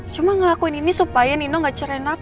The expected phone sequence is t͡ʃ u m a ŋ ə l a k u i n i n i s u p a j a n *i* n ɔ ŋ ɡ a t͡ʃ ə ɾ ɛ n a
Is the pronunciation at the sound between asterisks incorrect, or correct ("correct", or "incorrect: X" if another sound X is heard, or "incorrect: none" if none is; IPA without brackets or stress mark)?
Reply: correct